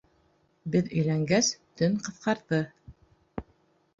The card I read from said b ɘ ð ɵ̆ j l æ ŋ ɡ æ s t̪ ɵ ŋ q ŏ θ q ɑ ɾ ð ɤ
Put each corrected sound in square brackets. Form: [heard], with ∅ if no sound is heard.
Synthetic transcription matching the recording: b ɘ ð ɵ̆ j l æ ŋ ɡ æ s t̪ ɵ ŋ q [ɤ̆] θ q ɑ ɾ ð ɤ